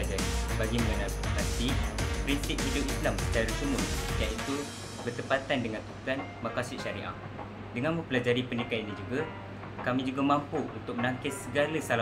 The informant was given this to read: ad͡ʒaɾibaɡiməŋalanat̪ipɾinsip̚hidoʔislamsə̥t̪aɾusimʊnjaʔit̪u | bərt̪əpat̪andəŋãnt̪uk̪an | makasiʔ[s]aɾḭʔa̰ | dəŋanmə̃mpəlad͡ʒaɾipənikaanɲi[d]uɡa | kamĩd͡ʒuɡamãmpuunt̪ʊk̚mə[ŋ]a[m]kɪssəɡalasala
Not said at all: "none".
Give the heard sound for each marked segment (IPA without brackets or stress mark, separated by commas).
ʃ, d͡ʒ, n, ŋ